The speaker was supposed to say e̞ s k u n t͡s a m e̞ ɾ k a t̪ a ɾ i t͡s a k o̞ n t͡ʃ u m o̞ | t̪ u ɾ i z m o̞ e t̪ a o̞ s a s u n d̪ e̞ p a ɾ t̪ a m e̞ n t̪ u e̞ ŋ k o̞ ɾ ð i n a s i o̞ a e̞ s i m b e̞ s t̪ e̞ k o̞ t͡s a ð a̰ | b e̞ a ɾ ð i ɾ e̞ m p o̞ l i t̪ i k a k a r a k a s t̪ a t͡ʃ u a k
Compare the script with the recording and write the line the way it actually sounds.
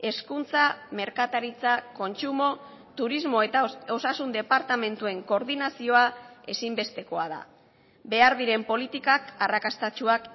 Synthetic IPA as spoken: e̞ s k u n t͡s a m e̞ ɾ k a t̪ a ɾ i t͡s a k o̞ n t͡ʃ u m o̞ | t̪ u ɾ i z m o̞ e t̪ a o̞ s a s u n d̪ e̞ p a ɾ t̪ a m e̞ n t̪ u e̞ ŋ k o̞ ɾ ð i n a s i o̞ a e̞ s i m b e̞ s t̪ e̞ k o̞ a ð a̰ | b e̞ a ɾ ð i ɾ e̞ m p o̞ l i t̪ i k a k a r a k a s t̪ a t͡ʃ u a k